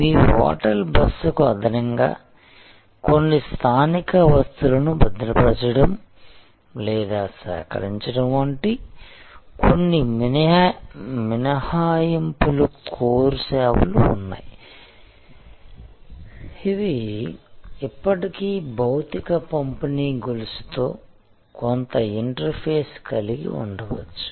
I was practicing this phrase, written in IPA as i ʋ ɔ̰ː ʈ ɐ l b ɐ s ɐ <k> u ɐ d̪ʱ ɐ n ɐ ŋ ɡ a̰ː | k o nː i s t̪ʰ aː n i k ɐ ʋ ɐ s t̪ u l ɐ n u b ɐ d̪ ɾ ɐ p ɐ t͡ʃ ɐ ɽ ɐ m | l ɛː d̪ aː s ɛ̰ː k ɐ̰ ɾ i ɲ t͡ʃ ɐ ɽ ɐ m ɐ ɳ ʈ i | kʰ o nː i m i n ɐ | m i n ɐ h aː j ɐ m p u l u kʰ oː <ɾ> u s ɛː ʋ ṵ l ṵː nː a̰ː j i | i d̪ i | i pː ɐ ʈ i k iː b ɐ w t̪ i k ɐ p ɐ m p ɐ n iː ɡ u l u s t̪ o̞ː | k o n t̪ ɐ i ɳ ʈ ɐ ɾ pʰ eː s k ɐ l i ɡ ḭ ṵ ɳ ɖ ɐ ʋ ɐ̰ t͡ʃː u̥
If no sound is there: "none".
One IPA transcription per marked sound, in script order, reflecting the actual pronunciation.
k, ɾ

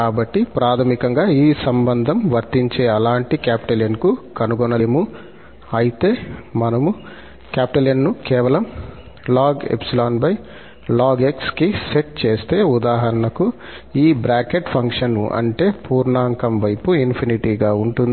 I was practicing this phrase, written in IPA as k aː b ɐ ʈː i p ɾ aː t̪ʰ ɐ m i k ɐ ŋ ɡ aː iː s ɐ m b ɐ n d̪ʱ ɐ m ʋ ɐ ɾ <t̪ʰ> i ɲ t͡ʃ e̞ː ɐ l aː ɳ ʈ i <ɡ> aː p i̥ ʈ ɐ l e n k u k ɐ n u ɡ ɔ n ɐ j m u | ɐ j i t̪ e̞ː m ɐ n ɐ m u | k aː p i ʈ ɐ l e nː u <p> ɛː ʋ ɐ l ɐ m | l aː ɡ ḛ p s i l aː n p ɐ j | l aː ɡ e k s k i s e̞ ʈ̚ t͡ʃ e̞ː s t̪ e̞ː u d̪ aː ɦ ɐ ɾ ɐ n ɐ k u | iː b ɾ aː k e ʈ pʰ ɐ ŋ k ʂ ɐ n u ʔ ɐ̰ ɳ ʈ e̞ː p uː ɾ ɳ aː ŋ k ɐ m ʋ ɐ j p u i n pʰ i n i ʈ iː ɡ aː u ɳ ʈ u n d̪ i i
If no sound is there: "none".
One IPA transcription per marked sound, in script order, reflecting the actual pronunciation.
t̪, k, k

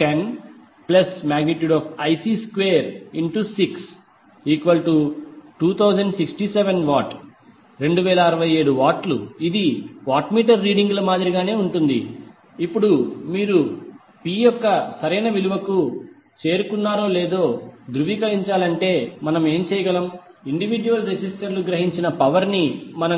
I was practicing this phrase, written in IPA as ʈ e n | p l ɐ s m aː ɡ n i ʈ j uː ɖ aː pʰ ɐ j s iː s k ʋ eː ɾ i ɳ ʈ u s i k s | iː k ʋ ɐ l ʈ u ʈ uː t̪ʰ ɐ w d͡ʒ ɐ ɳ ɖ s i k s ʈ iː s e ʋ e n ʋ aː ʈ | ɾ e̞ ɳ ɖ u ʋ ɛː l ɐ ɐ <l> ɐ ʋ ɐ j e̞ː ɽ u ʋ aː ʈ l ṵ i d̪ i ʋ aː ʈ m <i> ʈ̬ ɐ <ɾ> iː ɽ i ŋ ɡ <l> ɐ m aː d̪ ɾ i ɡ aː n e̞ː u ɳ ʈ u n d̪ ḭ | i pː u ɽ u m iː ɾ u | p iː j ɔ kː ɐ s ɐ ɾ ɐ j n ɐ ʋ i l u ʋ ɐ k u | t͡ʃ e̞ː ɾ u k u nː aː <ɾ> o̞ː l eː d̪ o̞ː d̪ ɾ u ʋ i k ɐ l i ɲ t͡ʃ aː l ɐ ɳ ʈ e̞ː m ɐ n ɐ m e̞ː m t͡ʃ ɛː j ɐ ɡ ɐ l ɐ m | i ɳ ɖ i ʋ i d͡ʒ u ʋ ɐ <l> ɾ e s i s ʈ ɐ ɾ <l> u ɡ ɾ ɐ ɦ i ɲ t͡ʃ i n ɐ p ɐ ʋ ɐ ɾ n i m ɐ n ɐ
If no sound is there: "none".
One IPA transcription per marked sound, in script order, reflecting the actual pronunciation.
ɾ, iː, ɾː, l, ɾ, l, l

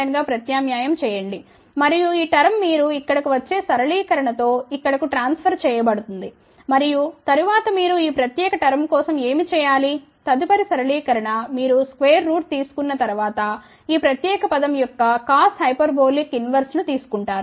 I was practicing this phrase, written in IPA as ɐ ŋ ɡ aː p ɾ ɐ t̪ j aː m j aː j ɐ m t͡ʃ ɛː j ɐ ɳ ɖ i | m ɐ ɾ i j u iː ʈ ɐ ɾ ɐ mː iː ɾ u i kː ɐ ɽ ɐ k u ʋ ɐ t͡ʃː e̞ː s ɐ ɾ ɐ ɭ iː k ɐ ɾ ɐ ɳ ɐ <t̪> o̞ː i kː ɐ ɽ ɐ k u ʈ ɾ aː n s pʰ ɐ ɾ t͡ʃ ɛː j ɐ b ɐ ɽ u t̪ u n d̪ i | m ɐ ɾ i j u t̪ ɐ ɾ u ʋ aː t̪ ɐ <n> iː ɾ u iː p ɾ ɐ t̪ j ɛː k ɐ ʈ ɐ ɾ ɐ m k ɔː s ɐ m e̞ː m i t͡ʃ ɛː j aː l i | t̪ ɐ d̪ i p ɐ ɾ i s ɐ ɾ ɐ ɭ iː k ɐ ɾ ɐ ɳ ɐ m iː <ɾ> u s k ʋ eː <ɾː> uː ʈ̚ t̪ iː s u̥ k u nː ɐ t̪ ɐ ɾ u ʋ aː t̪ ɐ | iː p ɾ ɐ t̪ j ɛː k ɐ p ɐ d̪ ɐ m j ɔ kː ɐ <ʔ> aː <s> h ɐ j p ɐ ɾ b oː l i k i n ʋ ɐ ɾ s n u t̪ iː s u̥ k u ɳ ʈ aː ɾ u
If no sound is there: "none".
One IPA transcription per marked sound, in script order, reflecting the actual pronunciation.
t̪, m, ɾ, ɾː, k, s

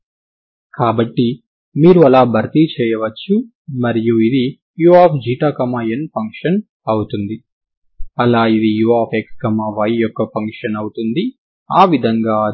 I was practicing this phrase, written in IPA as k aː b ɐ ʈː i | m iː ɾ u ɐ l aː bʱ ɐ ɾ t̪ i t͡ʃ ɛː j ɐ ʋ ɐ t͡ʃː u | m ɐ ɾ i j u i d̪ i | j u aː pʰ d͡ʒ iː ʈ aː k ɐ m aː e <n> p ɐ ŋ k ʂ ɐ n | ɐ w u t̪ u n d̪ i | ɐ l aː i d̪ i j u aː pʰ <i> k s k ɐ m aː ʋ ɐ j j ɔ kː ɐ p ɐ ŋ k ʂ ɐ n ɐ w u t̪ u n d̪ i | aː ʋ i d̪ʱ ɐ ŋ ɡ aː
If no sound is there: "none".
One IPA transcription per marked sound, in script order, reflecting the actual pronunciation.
n, e

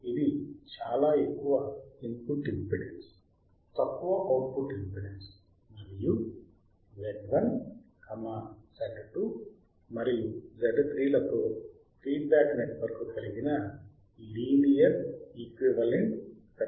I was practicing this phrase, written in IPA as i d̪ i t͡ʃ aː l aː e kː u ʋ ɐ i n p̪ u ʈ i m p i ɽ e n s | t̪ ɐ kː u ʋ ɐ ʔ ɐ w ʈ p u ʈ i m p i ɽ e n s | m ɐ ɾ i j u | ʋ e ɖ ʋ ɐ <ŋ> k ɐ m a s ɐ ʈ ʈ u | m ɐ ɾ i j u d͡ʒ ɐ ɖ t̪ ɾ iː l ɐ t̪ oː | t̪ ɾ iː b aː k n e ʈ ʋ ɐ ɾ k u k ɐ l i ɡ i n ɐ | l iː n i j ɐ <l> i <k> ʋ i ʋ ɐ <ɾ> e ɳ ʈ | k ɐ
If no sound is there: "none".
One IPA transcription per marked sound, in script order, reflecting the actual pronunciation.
n, ɾ, k, l

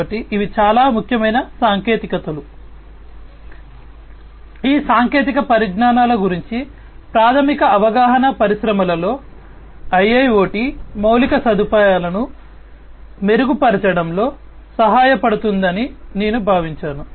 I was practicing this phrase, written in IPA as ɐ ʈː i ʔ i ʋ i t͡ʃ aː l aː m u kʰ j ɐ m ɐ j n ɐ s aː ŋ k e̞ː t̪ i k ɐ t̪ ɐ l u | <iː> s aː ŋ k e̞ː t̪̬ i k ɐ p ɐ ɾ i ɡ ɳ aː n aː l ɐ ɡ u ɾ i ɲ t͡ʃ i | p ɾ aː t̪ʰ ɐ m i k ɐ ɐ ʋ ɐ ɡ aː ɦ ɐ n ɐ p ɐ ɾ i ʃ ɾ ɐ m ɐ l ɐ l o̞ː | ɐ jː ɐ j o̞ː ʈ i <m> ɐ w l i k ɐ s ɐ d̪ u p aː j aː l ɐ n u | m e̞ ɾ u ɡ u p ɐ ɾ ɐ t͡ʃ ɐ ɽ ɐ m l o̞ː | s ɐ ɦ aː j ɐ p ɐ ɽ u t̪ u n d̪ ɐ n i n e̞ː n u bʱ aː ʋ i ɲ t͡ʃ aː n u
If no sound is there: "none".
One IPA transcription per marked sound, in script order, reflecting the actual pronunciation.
iː, m

